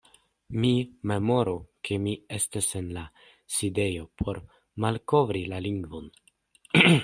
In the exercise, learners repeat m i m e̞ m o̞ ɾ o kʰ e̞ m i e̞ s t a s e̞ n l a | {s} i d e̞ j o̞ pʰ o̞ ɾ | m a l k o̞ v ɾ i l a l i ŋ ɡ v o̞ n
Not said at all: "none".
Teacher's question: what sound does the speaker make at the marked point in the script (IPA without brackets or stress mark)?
s